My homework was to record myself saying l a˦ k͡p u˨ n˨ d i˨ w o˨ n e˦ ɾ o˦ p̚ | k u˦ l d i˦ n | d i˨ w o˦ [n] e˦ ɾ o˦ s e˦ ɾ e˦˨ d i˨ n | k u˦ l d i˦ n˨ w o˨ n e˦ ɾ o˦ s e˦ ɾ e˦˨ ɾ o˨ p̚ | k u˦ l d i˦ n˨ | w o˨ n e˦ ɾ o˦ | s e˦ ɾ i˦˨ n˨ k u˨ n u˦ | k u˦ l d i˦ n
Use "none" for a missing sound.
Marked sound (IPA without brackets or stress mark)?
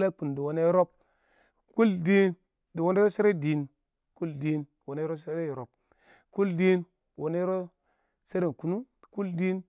n